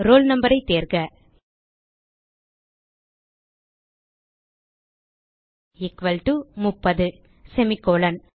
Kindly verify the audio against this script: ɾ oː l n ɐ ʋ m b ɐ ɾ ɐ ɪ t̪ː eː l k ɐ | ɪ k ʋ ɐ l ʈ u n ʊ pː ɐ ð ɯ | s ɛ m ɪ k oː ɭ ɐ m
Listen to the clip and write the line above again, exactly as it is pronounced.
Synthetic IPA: ɾ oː l n ɐ m b ɐ ɾ ɐ ɪ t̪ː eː ɾ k ɐ | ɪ k ʋ ɐ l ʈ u m ʊ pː ɐ ð ɯ | s ɛ m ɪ k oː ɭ ɐ n

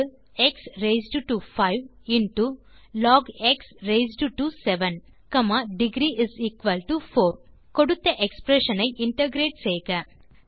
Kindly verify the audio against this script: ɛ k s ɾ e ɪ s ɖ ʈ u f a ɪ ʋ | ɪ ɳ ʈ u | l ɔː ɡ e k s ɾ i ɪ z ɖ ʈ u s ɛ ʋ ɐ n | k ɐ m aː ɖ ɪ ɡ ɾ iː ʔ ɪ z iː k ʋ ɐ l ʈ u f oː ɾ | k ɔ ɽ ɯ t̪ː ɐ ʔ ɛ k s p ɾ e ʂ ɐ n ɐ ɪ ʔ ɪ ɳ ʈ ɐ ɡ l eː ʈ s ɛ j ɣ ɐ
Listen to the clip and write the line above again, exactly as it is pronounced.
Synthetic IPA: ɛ k s ɾ e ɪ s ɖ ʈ u f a ɪ ʋ | ɪ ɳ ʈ u | l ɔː ɡ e k s ɾ e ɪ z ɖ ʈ u s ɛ ʋ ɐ n | k ɐ m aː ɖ ɪ ɡ ɾ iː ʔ ɪ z iː k ʋ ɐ l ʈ u f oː ɾ | k ɔ ɽ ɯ t̪ː ɐ ʔ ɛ k s p ɾ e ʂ ɐ n ɐ ɪ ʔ ɪ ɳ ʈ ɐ ɡ ɾ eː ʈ s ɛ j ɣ ɐ

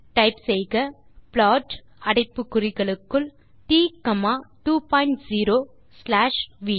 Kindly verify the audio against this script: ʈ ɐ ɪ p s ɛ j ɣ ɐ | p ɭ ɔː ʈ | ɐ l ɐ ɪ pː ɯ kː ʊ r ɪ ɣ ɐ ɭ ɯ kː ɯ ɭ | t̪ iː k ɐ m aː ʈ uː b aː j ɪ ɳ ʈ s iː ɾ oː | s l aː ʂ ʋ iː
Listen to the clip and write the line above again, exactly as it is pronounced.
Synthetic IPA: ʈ ɐ ɪ p s ɛ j ɣ ɐ | p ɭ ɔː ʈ | ɐ ɽ ɐ ɪ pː ɯ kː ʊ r ɪ ɣ ɐ ɭ ɯ kː ɯ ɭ | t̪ iː k ɐ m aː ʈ uː p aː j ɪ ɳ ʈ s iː ɾ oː | s l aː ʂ ʋ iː

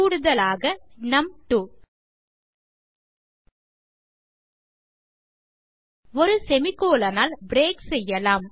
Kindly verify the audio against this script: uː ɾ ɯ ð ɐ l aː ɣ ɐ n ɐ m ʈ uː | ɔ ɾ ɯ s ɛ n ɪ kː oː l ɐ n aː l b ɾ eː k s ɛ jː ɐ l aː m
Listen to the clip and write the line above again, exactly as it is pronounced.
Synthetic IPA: uː ɽ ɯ ð ɐ l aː ɣ ɐ n ɐ m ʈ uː | ɔ ɾ ɯ s ɛ m ɪ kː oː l ɐ n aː l b ɾ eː k s ɛ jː ɐ l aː m

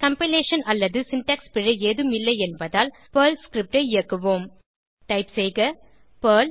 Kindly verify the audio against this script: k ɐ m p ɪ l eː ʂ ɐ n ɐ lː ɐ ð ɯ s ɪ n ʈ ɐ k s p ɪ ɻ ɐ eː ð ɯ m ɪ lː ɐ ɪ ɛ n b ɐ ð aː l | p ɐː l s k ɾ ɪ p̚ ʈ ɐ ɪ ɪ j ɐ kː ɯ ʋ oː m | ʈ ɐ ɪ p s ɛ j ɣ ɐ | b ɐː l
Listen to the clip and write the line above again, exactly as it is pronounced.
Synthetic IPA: k ɐ m p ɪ l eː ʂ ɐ n ɐ lː ɐ ð ɯ s ɪ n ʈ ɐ k s p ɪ ɻ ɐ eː ð ɯ m ɪ lː ɐ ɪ ɛ n b ɐ ð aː l | p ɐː l s k ɾ ɪ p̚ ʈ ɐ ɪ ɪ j ɐ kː ɯ ʋ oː m | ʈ ɐ ɪ p s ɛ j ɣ ɐ | p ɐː l

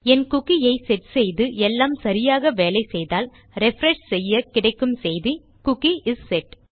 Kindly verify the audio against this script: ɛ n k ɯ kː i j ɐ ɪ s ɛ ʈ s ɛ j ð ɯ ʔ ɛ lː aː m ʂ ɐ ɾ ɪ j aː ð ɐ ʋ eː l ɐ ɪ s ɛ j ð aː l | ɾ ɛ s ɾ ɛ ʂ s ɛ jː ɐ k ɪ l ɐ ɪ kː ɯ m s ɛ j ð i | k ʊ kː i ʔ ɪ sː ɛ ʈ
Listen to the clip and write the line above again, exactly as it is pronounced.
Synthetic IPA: ɛ n k ʊ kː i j ɐ ɪ s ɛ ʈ s ɛ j ð ɯ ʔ ɛ lː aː m s ɐ ɾ ɪ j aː ɣ ɐ ʋ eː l ɐ ɪ s ɛ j ð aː l | ɾ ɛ f ɾ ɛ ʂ s ɛ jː ɐ k ɪ ɽ ɐ ɪ kː ɯ m s ɛ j ð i | k ʊ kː i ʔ ɪ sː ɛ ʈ

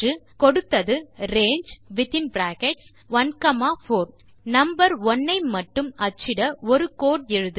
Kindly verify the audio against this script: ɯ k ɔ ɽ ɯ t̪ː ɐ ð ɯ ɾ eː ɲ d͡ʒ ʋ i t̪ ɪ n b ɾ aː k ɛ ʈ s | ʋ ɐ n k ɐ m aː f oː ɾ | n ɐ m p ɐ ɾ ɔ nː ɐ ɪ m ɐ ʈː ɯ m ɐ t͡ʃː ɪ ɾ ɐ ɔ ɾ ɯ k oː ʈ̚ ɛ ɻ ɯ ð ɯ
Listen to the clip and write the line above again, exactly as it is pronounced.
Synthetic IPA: ɯ k ɔ ɽ ɯ t̪ː ɐ ð ɯ ɾ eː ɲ d͡ʒ ʋ ɪ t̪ ɪ n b ɾ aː k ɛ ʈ s | ʋ ɐ n k ɐ m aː f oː ɾ | n ɐ m b ɐ ɾ ɔ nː ɐ ɪ m ɐ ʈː ɯ m ɐ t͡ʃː ɪ ɽ ɐ ɔ ɾ ɯ k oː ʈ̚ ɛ ɻ ɯ ð ɯ

